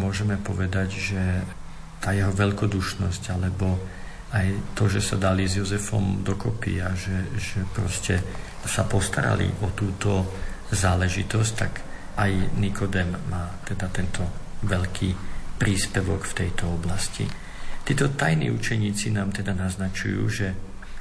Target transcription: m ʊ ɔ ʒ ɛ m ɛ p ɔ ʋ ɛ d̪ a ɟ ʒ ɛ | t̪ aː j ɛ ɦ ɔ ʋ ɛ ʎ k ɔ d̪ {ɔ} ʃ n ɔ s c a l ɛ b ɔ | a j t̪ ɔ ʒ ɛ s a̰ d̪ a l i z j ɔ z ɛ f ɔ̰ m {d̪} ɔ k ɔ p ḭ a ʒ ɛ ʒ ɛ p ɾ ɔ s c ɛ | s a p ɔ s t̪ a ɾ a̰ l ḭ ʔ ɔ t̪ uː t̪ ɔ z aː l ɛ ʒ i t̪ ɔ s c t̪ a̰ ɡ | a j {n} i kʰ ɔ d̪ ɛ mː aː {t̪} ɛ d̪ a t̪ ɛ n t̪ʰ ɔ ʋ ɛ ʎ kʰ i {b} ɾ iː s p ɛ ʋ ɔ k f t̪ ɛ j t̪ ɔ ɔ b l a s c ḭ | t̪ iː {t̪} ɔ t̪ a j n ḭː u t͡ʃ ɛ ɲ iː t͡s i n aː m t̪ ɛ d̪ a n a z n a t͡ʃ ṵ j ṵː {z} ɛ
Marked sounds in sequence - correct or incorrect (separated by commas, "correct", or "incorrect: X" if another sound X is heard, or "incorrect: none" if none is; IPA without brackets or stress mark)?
incorrect: u, correct, correct, correct, incorrect: p, correct, incorrect: ʒ